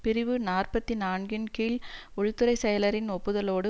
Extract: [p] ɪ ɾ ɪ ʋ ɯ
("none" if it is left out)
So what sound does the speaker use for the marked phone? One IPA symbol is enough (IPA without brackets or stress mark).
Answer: p